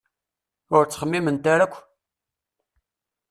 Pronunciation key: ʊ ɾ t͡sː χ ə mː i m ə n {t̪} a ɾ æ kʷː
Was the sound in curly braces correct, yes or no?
yes